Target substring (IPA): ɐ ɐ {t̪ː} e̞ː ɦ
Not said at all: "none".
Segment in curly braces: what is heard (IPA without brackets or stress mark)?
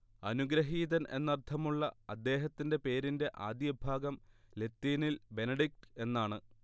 d̪ː